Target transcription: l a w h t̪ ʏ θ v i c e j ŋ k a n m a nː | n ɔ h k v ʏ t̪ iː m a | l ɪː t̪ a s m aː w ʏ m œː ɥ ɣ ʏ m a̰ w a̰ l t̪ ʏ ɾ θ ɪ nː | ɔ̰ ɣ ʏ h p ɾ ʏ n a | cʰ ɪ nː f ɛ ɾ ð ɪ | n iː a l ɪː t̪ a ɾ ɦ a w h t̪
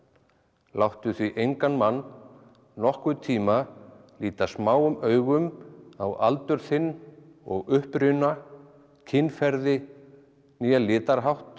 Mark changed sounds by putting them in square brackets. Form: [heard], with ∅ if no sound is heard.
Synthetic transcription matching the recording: l a w h t̪ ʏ θ v i [ʔ] e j ŋ k a n m a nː | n ɔ h k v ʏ [t̪ʰ] iː m a | l [iː] t̪ a s m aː w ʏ m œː ɥ ɣ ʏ m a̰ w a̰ l t̪ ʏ ɾ θ ɪ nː | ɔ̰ ɣ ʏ h p ɾ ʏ n a | cʰ ɪ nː f ɛ ɾ ð ɪ | n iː a l ɪː t̪ a ɾ ɦ a w h t̪